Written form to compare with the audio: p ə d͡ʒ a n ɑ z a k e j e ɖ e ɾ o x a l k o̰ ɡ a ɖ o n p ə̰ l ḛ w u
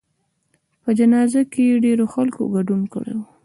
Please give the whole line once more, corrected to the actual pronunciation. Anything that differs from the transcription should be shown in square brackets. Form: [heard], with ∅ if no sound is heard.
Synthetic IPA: p ə d͡ʒ a n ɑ z a k e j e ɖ e ɾ o x a l k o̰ ɡ a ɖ [u] n [k] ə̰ [ɽ] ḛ w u